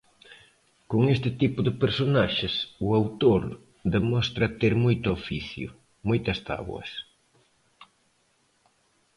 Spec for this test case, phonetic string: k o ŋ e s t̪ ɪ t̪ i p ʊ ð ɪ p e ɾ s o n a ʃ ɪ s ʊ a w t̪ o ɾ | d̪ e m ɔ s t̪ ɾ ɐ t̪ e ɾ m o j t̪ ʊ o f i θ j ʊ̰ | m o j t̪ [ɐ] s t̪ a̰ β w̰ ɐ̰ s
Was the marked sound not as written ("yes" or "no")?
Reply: no